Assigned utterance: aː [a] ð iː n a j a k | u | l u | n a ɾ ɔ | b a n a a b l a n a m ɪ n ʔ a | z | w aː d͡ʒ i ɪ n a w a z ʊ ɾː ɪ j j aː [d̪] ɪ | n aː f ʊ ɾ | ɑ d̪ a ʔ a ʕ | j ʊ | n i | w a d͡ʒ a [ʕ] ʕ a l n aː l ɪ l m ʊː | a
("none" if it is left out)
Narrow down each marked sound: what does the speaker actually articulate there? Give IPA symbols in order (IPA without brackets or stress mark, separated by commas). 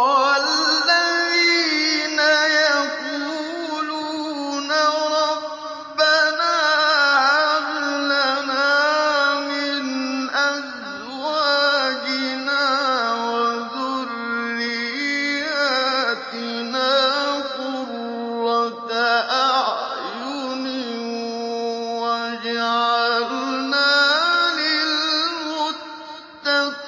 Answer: a, t̪, ʕ